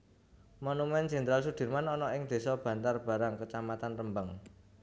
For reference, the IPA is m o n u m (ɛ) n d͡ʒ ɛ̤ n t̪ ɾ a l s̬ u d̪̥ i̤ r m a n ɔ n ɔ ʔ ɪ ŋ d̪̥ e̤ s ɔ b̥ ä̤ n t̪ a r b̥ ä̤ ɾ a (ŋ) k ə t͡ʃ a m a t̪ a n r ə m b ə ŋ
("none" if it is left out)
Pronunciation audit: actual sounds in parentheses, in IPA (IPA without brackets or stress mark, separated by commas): ɛ, ŋ